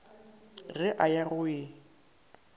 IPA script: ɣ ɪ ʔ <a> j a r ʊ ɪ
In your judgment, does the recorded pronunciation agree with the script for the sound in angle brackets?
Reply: yes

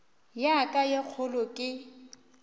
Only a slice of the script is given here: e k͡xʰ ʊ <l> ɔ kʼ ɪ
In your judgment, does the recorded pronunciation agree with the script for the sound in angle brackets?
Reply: yes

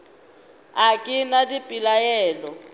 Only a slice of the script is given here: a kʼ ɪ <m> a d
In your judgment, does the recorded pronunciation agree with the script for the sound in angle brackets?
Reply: no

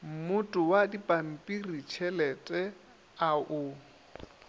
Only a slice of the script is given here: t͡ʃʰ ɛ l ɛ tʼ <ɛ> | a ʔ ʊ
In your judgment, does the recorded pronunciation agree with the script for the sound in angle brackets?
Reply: yes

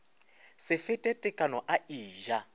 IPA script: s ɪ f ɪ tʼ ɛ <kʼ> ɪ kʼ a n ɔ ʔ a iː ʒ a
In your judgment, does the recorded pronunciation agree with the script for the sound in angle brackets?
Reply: no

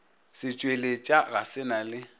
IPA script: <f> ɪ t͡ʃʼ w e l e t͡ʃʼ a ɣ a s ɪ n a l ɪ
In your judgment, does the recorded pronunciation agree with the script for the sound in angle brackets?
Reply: no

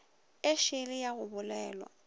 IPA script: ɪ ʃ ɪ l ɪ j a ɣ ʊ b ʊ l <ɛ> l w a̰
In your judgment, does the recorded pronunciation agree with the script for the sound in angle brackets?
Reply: no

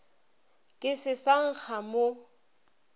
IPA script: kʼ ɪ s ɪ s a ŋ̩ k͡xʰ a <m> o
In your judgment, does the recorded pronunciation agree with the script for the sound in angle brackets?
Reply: yes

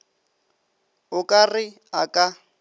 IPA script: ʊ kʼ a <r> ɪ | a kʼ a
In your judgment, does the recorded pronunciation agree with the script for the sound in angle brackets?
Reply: yes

